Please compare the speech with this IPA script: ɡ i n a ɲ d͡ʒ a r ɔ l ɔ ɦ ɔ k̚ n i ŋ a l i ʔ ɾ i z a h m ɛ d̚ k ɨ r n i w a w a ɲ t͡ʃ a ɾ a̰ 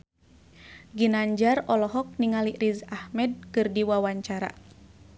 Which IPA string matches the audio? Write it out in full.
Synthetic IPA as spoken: ɡ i n a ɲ d͡ʒ a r ɔ l ɔ ɦ ɔ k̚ n i ŋ a l i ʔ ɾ i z a h m ɛ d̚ k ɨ r d i w a w a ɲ t͡ʃ a ɾ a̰